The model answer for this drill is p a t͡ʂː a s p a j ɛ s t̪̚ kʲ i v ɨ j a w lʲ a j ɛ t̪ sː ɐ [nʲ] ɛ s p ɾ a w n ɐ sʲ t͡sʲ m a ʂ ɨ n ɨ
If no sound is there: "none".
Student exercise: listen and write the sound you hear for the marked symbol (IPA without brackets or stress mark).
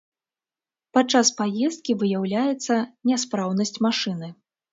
nʲ